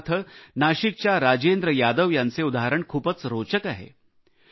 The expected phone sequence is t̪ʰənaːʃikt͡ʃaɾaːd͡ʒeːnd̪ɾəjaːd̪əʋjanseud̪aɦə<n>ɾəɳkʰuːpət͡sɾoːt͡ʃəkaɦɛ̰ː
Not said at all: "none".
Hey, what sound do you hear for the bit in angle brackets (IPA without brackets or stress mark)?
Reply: none